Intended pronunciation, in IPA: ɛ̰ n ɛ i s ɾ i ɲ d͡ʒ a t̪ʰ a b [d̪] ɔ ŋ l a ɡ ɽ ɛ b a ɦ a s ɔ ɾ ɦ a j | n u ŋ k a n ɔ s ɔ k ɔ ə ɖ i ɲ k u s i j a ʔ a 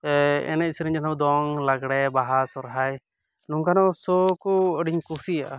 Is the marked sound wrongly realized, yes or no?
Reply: no